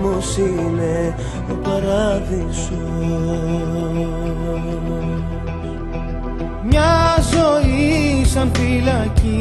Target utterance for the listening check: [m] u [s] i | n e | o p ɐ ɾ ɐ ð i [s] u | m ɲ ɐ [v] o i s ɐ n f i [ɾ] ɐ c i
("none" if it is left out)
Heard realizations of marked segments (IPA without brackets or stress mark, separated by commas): m, s, s, z, l